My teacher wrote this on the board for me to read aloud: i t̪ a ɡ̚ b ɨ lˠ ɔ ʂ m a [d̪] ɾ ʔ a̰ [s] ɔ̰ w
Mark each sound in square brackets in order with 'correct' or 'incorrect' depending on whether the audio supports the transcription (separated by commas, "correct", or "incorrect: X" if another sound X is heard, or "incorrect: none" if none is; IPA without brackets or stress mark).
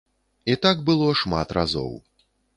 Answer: incorrect: t̪, incorrect: z